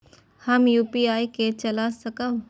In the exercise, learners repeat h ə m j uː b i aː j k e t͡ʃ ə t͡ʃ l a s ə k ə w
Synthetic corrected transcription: h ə m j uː p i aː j k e t͡ʃ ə l a s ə k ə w